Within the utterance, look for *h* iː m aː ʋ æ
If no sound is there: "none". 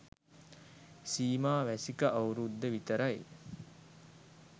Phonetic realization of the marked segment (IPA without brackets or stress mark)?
s